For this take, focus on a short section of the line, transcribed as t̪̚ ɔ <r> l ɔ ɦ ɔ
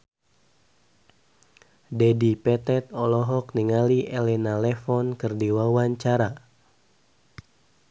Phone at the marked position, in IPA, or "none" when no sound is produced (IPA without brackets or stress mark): none